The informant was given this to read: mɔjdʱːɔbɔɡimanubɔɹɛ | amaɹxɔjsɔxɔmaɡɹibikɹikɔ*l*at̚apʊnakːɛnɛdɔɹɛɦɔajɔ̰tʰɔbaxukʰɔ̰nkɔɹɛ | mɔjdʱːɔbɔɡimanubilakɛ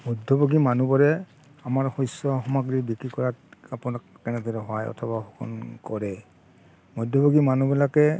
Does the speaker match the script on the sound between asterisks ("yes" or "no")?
no